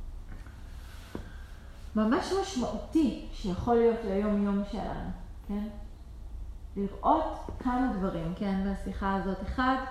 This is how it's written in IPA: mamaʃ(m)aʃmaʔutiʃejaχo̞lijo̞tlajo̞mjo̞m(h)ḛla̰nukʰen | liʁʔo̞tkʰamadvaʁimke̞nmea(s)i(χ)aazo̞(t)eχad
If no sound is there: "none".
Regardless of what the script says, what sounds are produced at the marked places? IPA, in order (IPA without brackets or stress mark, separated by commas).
m, ʃ, s, χ, t